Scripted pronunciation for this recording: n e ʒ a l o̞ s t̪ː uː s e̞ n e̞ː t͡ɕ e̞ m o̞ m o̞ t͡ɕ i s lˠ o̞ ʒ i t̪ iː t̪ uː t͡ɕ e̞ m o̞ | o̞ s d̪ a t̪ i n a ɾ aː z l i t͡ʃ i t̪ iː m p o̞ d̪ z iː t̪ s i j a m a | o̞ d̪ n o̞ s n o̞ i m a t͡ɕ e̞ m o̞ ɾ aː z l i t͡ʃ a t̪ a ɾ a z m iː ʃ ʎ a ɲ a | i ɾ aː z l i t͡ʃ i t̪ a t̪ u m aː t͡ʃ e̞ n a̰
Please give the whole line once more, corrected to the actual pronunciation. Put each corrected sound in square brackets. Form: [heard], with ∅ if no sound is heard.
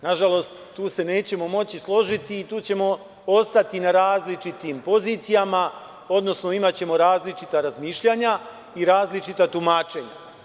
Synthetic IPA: n [a] ʒ a l o̞ s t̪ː uː s e̞ n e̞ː t͡ɕ e̞ m o̞ m o̞ t͡ɕ i s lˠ o̞ ʒ i t̪ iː t̪ uː t͡ɕ e̞ m o̞ | o̞ s [t̪] a t̪ i n a ɾ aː z l i t͡ʃ i t̪ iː m p o̞ [∅] z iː t̪ s i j a m a | o̞ d̪ n o̞ s n o̞ i m a t͡ɕ e̞ m o̞ ɾ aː z l i t͡ʃ [i] t̪ a ɾ a z m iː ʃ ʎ a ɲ a | i ɾ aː z l i t͡ʃ i t̪ a t̪ u m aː t͡ʃ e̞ [ɲ] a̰